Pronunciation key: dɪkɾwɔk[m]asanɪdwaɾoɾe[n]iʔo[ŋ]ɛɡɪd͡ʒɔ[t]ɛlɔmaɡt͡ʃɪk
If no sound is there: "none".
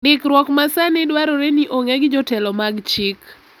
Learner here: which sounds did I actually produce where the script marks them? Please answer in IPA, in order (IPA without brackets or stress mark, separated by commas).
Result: m, n, ŋ, t